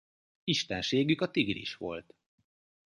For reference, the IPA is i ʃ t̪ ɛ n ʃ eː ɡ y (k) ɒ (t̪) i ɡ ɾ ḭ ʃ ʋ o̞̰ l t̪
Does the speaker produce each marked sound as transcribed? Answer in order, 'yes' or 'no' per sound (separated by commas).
yes, yes